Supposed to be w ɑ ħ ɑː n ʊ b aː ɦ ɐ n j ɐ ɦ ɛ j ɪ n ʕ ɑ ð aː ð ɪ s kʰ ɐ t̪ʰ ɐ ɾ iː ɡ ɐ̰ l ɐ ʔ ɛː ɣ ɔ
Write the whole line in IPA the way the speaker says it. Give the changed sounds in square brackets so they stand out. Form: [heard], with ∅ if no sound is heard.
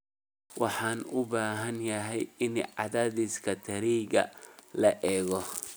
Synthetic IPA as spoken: w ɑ ħ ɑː n ʊ b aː ɦ ɐ n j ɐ ɦ ɛ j ɪ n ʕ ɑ ð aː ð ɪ s kʰ ɐ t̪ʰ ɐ ɾ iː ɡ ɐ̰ l ɐ ʔ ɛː ɣ ɔ